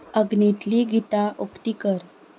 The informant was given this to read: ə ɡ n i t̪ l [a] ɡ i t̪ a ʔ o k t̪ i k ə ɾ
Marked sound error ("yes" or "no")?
yes